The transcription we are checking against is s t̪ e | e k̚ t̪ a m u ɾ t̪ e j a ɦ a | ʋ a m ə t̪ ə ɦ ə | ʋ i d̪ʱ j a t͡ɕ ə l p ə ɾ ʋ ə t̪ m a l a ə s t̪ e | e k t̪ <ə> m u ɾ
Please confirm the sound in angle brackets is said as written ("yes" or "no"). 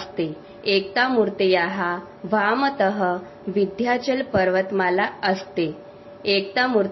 no